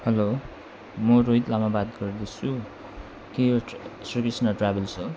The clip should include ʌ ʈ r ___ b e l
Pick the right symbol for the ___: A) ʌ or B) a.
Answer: B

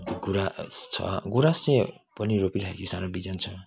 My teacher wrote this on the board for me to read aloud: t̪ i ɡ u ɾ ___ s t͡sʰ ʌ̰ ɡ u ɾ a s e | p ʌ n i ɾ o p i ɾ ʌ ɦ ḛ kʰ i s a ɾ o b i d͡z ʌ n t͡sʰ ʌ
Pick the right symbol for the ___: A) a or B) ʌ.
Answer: A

